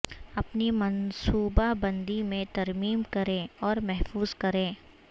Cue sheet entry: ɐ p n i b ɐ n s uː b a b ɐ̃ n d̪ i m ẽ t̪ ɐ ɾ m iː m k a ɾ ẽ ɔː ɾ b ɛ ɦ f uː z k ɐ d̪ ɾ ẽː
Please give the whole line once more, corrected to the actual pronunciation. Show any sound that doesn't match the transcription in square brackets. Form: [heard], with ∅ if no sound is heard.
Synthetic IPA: ɐ p n i [m] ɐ n s uː b a b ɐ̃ n d̪ i m ẽ t̪ ɐ ɾ m iː m k [ɐ] ɾ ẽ ɔː ɾ [m] ɛ ɦ f uː z k ɐ [∅] ɾ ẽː